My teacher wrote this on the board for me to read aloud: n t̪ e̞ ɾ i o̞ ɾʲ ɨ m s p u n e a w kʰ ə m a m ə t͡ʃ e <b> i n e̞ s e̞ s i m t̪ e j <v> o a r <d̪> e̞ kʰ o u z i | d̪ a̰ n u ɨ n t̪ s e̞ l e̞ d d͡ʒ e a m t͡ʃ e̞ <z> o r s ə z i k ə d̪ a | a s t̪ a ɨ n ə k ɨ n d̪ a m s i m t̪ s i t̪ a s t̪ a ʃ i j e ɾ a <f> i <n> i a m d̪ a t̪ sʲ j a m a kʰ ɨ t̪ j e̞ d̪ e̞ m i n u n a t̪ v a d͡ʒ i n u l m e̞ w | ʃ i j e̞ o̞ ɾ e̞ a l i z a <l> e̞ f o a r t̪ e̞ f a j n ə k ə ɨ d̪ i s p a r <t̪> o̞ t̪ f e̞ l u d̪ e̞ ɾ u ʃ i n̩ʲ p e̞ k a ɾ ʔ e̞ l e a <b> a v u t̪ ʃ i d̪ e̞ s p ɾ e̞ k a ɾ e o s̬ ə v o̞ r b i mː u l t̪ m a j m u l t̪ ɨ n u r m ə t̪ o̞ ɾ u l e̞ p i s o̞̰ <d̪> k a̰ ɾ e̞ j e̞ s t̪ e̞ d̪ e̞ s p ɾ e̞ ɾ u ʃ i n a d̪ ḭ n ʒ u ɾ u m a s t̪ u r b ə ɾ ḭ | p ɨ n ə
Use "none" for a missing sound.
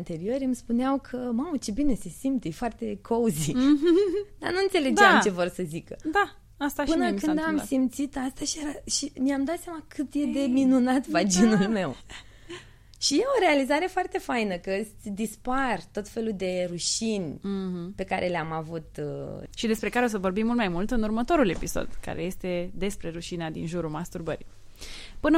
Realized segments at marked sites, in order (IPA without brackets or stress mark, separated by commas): b, f, t̪, v, ʃ, m, ɾ, t̪, m, d̪